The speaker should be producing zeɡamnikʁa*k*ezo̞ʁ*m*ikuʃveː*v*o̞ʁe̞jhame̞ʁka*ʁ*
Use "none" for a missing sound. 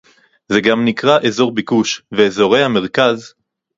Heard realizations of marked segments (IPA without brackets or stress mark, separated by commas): ʔ, b, z, z